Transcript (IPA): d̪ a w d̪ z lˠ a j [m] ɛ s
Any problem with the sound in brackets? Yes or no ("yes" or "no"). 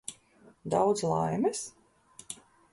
no